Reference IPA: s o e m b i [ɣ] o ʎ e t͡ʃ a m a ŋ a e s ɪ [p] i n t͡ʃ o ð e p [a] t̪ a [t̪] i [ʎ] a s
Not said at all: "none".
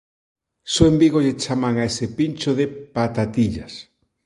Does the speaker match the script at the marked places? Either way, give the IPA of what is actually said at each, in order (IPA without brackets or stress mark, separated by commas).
ɣ, p, a, t̪, ʎ